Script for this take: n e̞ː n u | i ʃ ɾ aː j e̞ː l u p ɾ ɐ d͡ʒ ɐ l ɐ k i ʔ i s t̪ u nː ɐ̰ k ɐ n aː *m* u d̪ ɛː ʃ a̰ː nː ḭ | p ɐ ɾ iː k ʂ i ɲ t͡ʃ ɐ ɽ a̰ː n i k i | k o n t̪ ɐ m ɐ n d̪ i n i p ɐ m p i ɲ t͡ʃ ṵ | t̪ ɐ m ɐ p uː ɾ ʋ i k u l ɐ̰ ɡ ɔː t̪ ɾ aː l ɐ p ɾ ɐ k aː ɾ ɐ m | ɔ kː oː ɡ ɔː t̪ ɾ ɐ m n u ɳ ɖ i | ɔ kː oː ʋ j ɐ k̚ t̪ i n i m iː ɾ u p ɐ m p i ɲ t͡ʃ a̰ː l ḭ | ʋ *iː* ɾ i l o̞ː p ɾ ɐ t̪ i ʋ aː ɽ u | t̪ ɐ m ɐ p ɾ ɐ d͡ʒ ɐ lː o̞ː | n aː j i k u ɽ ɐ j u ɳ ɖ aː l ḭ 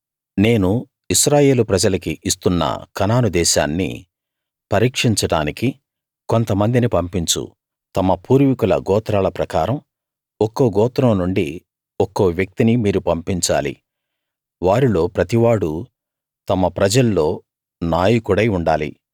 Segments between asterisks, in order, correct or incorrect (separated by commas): incorrect, incorrect